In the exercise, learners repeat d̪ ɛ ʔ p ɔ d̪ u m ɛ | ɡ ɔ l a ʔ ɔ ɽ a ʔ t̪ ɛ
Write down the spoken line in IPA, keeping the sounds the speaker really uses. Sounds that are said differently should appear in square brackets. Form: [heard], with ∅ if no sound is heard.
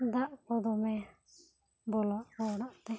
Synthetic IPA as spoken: d̪ [a] ʔ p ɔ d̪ [ɔ] m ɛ | [b] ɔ l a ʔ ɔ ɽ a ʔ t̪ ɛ